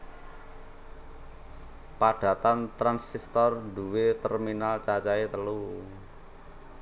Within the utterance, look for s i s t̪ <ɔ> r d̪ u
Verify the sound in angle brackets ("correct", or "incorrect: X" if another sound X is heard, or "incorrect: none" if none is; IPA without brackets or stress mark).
correct